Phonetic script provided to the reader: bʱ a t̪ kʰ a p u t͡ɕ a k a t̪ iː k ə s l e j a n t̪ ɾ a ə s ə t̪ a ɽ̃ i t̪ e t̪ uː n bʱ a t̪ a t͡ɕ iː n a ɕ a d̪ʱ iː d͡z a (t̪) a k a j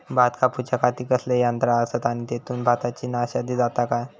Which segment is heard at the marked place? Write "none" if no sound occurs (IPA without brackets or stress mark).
t̪